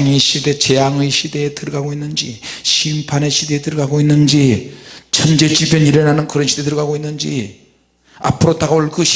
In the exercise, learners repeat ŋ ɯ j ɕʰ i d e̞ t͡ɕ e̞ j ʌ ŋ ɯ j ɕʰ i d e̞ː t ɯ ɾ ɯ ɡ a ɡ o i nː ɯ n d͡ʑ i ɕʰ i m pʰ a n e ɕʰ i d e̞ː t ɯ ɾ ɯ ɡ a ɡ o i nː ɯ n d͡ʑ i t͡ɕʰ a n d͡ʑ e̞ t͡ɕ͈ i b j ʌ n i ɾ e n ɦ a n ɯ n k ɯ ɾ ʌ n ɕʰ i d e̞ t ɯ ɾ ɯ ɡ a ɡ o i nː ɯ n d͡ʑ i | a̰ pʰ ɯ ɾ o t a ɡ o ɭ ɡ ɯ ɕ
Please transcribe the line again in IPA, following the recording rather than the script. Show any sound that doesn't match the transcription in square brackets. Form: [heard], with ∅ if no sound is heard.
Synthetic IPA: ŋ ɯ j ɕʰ i d e̞ t͡ɕ e̞ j [a] ŋ ɯ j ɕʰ i d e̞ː t ɯ ɾ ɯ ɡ a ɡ o i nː ɯ n d͡ʑ i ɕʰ i m pʰ a n e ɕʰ i d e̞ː t ɯ ɾ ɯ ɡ a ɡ o i nː ɯ n d͡ʑ i t͡ɕʰ [ʌ] n d͡ʑ e̞ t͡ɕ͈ i b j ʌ n i ɾ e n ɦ a n ɯ n k ɯ ɾ ʌ n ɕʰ i d e̞ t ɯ ɾ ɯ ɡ a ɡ o i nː ɯ n d͡ʑ i | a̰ pʰ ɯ ɾ o t a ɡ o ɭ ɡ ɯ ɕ